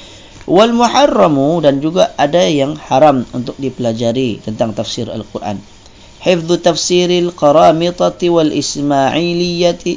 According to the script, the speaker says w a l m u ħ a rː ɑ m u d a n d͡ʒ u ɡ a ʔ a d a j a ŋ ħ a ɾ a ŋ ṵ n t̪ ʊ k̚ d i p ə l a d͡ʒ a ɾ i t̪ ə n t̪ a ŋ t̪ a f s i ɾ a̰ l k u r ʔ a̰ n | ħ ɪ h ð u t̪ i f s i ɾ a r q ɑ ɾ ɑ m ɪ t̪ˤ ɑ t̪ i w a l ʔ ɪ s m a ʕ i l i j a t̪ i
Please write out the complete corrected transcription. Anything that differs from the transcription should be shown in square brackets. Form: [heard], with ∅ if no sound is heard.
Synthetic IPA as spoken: w a l m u ħ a rː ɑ m u d a n d͡ʒ u ɡ a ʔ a d a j a ŋ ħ a ɾ a [m] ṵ n t̪ ʊ k̚ d i p ə l a d͡ʒ a ɾ i t̪ ə n t̪ a ŋ t̪ a f s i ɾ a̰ l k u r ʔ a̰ n | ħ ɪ [f] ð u t̪ [a] f s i ɾ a [l] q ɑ ɾ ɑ m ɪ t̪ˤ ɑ t̪ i w a l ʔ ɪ s m a ʕ i l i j a t̪ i